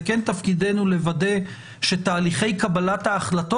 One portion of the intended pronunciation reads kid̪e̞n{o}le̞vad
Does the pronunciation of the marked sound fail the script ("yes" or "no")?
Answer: yes